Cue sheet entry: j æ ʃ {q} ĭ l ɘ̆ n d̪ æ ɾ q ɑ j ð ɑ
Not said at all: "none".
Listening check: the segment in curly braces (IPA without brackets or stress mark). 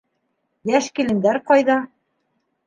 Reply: k